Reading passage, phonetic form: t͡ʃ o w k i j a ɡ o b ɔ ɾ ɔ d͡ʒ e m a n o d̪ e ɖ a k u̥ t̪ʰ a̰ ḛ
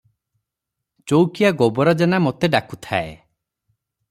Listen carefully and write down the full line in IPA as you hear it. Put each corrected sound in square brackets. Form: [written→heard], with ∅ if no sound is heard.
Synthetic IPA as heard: t͡ʃ o w k i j a ɡ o b ɔ ɾ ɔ d͡ʒ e [m→n] a [n→m] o [d̪→t̪] e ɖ a k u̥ t̪ʰ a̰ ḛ

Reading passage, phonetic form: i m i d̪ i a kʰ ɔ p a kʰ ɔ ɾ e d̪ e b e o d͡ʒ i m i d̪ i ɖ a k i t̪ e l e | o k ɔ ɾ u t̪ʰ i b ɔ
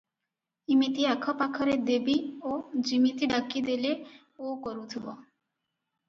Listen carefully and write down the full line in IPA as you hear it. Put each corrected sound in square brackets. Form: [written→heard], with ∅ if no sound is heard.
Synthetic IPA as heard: i m i [d̪→t̪] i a kʰ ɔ p a kʰ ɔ ɾ e d̪ e b [e→i] o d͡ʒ i m i [d̪→t̪] i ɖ a k i [t̪→d̪] e l e | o k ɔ ɾ u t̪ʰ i b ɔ

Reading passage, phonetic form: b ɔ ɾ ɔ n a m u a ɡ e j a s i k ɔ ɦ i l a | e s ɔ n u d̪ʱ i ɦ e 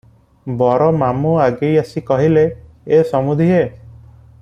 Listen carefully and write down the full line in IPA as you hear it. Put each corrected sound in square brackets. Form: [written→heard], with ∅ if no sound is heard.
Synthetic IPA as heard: b ɔ ɾ ɔ [n→m] a m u a ɡ e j a s i k ɔ ɦ i l [a→e] | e s ɔ [n→m] u d̪ʱ i ɦ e

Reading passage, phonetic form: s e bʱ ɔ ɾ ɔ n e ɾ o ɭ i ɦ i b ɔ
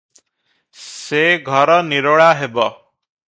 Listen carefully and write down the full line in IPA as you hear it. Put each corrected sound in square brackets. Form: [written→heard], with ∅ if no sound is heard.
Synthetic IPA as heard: s e [bʱ→ɡʱ] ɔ ɾ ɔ n [e→i] ɾ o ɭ [i→a] ɦ [i→e] b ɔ

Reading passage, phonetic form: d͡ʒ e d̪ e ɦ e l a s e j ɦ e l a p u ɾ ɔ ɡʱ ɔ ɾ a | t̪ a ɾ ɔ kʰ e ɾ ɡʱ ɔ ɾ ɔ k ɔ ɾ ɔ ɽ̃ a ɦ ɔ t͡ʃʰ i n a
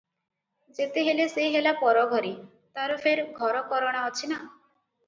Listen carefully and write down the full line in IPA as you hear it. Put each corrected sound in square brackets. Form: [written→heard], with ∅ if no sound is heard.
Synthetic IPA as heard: d͡ʒ e [d̪→t̪] e ɦ e l [a→e] s e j ɦ e l a p [u→ɔ] ɾ ɔ ɡʱ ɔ ɾ [a→i] | t̪ a ɾ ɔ [kʰ→pʰ] e ɾ ɡʱ ɔ ɾ ɔ k ɔ ɾ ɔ ɽ̃ a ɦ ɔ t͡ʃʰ i n a

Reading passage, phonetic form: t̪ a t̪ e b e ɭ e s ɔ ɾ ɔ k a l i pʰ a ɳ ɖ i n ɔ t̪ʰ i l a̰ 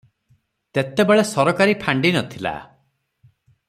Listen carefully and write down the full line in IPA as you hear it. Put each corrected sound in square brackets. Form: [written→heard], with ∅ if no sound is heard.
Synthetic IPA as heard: t̪ [a→e] t̪ e b e ɭ e s ɔ ɾ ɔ k a [l→ɾ] i pʰ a ɳ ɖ i n ɔ t̪ʰ i l a̰

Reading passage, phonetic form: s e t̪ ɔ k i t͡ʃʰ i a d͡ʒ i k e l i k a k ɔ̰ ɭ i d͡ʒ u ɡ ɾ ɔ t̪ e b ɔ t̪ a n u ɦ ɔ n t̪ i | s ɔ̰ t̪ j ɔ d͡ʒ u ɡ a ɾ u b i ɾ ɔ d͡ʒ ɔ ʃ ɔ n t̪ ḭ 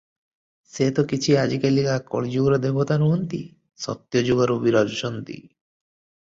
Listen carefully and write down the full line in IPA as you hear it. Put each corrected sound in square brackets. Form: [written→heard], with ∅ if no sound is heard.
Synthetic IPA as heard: s e t̪ ɔ k i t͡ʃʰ i a d͡ʒ i k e l i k a k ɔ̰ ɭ i d͡ʒ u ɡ ɾ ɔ [t̪→d̪] e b ɔ t̪ a n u ɦ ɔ n t̪ i | s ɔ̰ t̪ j ɔ d͡ʒ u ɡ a ɾ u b i ɾ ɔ d͡ʒ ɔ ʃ ɔ n t̪ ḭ

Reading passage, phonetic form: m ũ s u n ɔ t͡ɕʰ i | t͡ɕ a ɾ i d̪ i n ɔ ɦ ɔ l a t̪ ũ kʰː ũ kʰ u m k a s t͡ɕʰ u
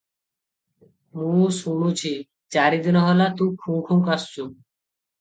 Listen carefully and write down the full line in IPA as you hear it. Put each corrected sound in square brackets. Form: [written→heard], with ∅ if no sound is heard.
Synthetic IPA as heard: m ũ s u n [ɔ→u] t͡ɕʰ i | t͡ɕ a ɾ i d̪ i n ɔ ɦ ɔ l a t̪ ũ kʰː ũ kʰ u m k a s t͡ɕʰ u

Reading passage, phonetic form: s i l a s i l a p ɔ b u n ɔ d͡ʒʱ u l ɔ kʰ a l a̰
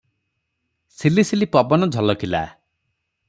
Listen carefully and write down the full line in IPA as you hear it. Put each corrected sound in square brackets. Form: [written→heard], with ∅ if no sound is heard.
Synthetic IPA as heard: s i l [a→i] s i l [a→i] p ɔ b [u→ɔ] n ɔ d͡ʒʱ [u→ɔ] l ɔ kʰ [a→i] l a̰

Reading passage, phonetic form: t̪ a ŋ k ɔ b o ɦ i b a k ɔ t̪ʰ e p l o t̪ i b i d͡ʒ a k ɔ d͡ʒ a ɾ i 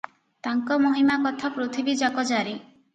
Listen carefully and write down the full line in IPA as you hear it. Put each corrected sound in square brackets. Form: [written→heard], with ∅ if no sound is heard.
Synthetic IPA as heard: t̪ a ŋ k ɔ [b→m] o ɦ i [b→m] a k ɔ t̪ʰ [e→a] p [l→ɾ] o [t̪→t̪ʰ] i b i d͡ʒ a k ɔ d͡ʒ a ɾ i

